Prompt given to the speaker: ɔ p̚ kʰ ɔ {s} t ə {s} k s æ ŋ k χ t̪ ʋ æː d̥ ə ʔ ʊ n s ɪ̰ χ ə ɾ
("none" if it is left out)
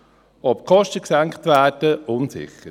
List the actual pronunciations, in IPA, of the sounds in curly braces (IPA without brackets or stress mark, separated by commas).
ʃ, none